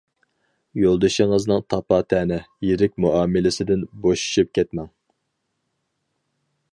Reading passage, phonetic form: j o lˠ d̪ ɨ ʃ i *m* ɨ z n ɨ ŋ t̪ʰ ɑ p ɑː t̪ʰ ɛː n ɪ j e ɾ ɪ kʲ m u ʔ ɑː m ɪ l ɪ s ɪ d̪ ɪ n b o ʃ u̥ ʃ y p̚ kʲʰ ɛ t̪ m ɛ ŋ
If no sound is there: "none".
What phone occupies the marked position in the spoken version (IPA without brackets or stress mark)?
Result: ŋ